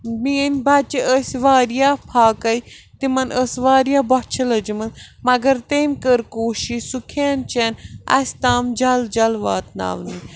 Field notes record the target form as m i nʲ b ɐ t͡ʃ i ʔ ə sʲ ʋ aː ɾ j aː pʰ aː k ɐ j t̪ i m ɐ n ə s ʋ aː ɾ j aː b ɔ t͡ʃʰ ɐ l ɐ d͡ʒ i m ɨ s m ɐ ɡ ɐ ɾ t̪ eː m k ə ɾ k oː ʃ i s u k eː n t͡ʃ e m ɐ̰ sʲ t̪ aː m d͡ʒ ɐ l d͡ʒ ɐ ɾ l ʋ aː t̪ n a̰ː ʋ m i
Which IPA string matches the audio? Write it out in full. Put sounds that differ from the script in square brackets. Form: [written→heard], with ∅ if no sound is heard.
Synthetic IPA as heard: m i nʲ b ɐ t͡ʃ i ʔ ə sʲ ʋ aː ɾ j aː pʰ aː k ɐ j t̪ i m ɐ n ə s ʋ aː ɾ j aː b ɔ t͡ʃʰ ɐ l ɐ d͡ʒ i m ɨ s m ɐ ɡ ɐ ɾ t̪ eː m k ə ɾ k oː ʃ i s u [k→kʰ] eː n t͡ʃ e [m→n] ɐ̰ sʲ t̪ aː m d͡ʒ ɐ l d͡ʒ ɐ [ɾ→∅] l ʋ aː t̪ n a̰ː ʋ [m→n] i